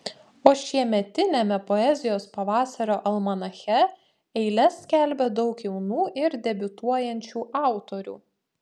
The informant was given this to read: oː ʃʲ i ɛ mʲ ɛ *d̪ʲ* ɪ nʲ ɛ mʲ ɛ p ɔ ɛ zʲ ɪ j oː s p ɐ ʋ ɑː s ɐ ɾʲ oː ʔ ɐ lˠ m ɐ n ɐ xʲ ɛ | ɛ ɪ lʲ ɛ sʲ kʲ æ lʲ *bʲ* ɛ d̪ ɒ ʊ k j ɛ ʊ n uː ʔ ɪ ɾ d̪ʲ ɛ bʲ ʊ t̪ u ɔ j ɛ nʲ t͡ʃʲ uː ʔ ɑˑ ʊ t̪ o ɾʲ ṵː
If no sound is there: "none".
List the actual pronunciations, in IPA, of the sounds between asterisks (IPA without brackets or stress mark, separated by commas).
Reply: t̪ʲ, bʲ